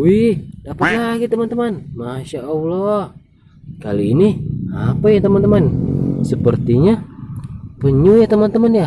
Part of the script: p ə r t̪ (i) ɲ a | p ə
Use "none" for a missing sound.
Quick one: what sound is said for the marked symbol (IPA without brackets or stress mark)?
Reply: i